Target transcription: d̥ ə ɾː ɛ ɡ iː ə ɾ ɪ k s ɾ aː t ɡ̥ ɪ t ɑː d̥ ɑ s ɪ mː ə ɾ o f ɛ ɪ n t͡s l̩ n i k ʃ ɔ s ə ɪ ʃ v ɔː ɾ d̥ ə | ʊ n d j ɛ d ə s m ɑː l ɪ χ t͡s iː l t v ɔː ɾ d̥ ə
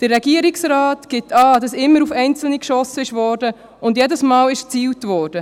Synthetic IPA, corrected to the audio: d̥ ə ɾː ɛ ɡ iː ə ɾ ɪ k s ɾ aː t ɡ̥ ɪ t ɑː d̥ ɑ s ɪ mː ə ɾ u f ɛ ɪ n t͡s l̩ n i k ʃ ɔ s ə ɪ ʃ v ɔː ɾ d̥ ə | ʊ n d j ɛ d ə s m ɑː l ɪ ʃ t͡s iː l t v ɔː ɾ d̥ ə